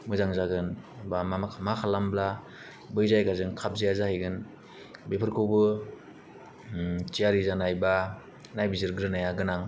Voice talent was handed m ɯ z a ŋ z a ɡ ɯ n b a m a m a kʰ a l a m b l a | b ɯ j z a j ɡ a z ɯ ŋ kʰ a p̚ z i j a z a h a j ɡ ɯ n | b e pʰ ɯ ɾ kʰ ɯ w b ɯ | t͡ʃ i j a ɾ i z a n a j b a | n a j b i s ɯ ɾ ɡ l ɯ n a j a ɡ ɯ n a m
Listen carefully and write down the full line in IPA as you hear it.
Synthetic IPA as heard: m ɯ z a ŋ z a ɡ ɯ n b a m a m a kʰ a l a m b l a | b ɯ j z a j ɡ a z ɯ ŋ kʰ a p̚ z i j a z a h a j ɡ ɯ n | b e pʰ ɯ ɾ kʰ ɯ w b ɯ | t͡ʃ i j a ɾ i z a n a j b a | n a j b i z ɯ ɾ ɡ ɾ ɯ n a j a ɡ ɯ n a ŋ